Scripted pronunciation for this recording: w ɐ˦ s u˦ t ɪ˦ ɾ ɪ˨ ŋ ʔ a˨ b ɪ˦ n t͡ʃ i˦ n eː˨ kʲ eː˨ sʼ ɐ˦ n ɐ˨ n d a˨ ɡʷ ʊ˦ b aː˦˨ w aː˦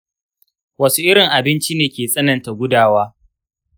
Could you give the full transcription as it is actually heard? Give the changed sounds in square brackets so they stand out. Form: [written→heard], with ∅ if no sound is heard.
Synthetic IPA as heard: w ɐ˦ s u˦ [t→ʔ] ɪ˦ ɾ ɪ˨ ŋ ʔ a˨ b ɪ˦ n t͡ʃ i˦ n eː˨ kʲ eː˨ sʼ ɐ˦ n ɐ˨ n [d→t] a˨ ɡʷ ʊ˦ [b→d] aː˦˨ w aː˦